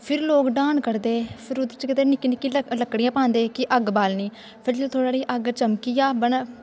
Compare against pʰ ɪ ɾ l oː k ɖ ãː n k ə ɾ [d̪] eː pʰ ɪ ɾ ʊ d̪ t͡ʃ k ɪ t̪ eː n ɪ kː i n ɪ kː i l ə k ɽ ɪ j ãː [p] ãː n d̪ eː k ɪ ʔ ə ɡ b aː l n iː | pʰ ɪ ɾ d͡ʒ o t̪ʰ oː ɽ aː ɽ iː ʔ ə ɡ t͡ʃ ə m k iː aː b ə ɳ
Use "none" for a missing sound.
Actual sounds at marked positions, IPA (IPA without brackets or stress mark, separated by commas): d̪, p